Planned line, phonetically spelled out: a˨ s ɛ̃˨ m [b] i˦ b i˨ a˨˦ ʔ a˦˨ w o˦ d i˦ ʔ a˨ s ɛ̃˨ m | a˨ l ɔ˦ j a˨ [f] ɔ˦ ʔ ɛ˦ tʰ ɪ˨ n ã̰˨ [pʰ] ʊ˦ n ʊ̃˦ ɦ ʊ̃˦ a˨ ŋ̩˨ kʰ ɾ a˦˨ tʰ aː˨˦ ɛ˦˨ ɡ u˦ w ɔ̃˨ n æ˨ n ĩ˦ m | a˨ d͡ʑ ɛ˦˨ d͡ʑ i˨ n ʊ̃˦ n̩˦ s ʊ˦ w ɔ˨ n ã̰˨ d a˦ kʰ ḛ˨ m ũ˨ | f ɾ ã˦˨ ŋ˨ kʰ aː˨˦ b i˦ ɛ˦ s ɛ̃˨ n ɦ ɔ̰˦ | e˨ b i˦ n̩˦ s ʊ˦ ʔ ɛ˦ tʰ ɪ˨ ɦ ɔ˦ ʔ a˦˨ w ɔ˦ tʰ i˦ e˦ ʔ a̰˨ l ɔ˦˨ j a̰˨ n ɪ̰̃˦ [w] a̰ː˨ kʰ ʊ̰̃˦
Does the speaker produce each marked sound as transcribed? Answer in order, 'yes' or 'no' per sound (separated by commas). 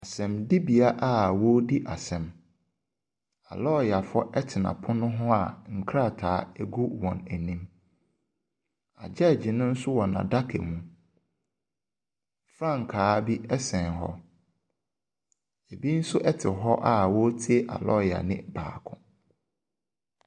no, yes, yes, no